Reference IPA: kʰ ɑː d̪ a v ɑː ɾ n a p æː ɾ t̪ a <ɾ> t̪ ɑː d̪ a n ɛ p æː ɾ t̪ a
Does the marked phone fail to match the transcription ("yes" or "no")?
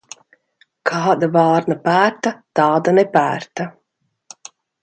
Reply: yes